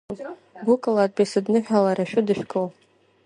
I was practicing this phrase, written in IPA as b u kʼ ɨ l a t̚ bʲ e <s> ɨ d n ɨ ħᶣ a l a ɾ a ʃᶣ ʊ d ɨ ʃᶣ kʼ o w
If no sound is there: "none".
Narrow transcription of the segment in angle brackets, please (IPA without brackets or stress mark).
s